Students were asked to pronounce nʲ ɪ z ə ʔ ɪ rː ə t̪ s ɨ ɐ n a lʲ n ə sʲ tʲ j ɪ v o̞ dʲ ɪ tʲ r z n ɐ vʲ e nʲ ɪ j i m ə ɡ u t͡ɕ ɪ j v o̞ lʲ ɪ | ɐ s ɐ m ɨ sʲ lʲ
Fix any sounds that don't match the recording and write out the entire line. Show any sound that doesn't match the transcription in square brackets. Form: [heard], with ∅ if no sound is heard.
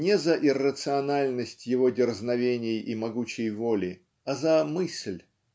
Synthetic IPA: nʲ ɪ z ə ʔ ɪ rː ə t̪ s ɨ ɐ n a lʲ n ə sʲ tʲ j ɪ v o̞ dʲ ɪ [∅] r z n ɐ vʲ e nʲ ɪ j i m [ɐ] ɡ u t͡ɕ ɪ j v o̞ lʲ ɪ | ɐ [z] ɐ m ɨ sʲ lʲ